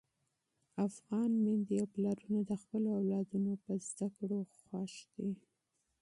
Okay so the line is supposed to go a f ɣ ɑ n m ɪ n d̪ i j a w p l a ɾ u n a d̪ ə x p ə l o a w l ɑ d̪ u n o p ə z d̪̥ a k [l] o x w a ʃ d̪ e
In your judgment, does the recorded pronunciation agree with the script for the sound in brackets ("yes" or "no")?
no